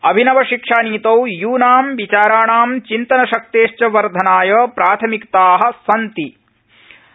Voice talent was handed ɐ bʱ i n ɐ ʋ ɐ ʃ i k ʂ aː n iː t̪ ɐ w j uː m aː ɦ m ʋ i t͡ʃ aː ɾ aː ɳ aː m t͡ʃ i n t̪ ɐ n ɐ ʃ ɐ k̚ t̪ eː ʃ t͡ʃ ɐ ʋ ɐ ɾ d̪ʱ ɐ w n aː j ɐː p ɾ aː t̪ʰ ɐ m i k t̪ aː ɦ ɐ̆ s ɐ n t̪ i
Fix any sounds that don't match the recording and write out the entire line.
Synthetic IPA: ɐ bʱ i n ɐ ʋ ɐ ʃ i k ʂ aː n iː t̪ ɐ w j uː n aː m ʋ i t͡ʃ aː ɾ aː ɳ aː m t͡ʃ i n t̪ ɐ n ɐ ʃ ɐ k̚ t̪ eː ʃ t͡ʃ ɐ ʋ ɐ ɾ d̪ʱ ɐ n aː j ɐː p ɾ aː t̪ʰ ɐ m i k t̪ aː ɦ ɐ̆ s ɐ n t̪ i